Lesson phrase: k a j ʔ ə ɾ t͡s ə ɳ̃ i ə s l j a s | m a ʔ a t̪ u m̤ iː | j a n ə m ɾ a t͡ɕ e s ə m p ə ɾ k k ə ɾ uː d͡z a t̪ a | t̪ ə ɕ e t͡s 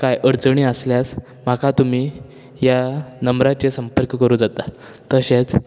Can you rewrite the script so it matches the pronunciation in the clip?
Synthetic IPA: k a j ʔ ə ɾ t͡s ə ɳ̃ i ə s l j a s | m a k a t̪ u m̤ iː | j a n ə m ɾ a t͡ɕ e s ə m p ə ɾ k k ə ɾ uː d͡z a t̪ a | t̪ ə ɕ e t͡s